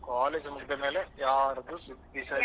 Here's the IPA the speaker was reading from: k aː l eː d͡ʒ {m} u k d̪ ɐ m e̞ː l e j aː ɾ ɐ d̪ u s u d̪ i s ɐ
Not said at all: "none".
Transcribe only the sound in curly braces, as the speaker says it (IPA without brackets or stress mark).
m